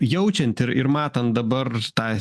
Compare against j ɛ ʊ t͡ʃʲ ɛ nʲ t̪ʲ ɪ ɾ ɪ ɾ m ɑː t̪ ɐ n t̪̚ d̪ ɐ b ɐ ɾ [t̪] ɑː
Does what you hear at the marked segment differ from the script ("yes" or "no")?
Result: no